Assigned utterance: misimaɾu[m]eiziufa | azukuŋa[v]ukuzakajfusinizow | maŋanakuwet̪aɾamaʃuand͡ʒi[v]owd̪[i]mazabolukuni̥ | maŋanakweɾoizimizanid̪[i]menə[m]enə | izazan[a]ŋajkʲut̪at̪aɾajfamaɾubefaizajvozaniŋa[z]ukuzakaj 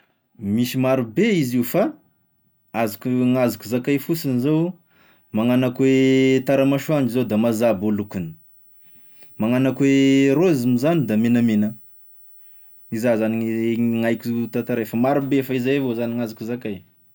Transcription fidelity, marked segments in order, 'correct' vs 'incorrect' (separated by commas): incorrect, incorrect, incorrect, incorrect, incorrect, correct, incorrect, correct